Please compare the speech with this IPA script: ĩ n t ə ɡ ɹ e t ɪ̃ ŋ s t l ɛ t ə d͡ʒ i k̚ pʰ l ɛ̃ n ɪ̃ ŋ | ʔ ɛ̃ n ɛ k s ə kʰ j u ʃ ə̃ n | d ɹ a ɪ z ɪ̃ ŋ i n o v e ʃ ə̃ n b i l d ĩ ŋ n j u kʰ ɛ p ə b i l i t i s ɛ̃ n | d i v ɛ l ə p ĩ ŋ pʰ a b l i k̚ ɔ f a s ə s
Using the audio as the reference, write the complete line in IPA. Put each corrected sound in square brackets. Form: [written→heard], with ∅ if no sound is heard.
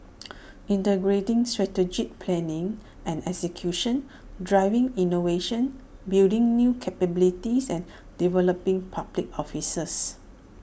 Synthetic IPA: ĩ n t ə ɡ ɹ e t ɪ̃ ŋ s t [l→ɹ] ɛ t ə d͡ʒ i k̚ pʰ l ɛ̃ n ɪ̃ ŋ | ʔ ɛ̃ n ɛ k s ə kʰ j u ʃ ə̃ n | d ɹ a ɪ [z→v] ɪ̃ ŋ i n o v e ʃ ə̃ n b i l d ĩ ŋ n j u kʰ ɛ p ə b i l i t i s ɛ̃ n | d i v ɛ l ə p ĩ ŋ pʰ a b l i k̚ ɔ f [a→i] s ə s